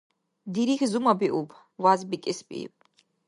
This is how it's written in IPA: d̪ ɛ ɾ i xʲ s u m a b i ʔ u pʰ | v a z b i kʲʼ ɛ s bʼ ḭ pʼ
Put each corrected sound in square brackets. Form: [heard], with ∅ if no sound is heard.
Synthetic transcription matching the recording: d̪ [i] ɾ i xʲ [z] u m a b i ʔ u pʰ | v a z b i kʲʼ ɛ s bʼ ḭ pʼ